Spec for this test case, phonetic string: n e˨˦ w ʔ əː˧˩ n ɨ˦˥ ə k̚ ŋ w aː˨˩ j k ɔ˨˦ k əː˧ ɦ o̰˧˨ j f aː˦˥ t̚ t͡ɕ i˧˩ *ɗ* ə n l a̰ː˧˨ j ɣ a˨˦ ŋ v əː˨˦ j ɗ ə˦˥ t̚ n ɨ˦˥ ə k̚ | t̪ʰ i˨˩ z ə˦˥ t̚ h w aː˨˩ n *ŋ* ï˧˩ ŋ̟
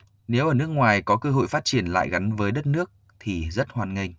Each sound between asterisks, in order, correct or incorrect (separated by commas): incorrect, correct